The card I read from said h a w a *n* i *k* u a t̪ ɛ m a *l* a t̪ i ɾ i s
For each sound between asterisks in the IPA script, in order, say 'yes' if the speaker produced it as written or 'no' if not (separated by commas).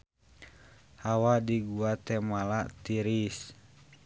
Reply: no, no, yes